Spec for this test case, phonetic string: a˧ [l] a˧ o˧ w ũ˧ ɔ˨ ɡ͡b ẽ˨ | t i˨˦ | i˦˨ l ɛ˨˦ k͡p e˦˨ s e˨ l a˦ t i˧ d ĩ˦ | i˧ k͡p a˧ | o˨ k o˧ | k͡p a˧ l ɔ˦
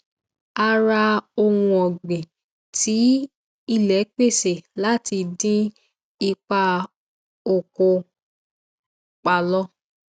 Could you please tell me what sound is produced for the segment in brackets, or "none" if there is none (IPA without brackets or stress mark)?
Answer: ɾ